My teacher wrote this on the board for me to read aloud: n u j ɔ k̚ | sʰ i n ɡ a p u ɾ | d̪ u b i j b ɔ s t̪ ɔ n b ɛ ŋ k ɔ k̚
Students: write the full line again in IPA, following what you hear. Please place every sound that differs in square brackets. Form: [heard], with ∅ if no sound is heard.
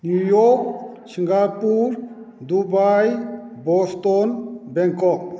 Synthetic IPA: n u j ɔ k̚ | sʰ i [ŋ] ɡ a p u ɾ | d̪ u b [a] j b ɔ s t̪ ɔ n b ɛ ŋ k ɔ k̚